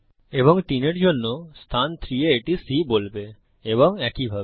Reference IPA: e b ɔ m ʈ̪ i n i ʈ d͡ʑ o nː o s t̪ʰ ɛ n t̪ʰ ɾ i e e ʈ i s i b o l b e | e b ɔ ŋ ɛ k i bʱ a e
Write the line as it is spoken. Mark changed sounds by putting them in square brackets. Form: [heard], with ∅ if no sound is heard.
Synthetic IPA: e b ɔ [ŋ] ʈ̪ i n [e] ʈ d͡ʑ o nː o s t̪ʰ [a] n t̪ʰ ɾ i e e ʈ i s i b o l b e | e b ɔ ŋ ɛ k i bʱ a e